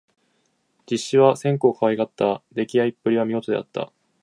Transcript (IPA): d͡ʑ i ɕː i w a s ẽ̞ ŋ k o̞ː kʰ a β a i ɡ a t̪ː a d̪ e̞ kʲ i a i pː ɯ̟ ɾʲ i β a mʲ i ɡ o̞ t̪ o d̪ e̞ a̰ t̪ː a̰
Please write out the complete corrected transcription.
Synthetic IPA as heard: d͡ʑ i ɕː i β a s ẽ̞ ŋ k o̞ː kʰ a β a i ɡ a t̪ː a d̪ e̞ kʲ i a i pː ɯ̟ ɾʲ i β a mʲ i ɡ o̞ t̪ o d̪ e̞ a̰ t̪ː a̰